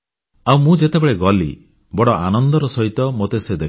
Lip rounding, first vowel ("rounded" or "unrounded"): unrounded